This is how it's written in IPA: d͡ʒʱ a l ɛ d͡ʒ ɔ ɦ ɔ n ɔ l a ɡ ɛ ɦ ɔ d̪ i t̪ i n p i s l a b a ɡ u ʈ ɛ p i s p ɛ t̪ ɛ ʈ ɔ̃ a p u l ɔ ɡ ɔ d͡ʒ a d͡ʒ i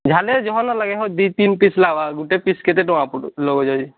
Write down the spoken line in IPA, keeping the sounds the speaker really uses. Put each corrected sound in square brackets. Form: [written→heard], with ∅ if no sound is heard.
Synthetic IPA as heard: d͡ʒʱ a l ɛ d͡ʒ ɔ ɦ ɔ n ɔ l a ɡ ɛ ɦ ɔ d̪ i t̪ i n p i s l a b a ɡ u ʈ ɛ p i s [p→k] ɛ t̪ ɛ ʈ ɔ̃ a p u l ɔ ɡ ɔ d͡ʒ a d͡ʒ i